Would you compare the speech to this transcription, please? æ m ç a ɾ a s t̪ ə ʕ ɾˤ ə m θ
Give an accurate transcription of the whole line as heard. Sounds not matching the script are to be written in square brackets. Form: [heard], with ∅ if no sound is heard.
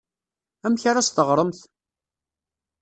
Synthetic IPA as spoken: æ m ç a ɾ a s t̪ ə [ʁ] ɾˤ ə m θ